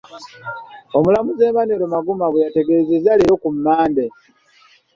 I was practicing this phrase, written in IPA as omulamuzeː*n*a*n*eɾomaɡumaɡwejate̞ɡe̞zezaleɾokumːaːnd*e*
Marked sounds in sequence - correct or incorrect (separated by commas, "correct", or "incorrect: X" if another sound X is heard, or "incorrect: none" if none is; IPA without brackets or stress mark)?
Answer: incorrect: m, correct, correct